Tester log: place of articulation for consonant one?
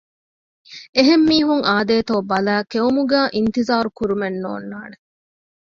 glottal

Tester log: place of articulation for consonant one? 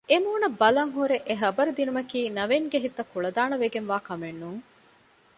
labial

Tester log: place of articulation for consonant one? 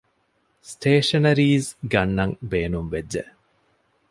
alveolar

